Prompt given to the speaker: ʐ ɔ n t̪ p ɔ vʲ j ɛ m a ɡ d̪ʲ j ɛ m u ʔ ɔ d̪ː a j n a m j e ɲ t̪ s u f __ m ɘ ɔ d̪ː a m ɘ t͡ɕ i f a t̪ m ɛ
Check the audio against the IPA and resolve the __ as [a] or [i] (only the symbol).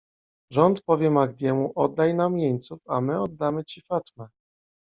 a